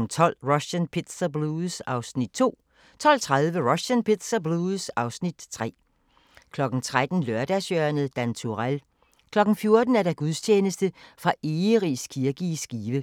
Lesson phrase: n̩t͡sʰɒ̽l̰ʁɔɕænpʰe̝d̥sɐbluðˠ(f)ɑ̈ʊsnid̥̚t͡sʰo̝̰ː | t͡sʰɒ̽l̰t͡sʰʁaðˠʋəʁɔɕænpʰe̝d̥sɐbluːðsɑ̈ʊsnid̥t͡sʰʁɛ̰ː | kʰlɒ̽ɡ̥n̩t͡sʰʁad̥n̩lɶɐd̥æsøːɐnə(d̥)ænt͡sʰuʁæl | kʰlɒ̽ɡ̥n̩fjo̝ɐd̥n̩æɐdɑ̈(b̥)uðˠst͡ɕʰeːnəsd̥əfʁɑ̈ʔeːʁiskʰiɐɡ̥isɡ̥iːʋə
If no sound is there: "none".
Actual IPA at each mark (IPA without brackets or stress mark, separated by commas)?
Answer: s, d̥, ɡ̥